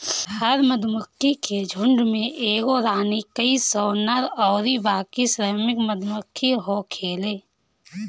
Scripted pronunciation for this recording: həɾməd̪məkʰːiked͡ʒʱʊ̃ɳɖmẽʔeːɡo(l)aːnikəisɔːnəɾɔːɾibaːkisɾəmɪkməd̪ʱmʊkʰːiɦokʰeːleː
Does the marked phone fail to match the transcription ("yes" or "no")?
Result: yes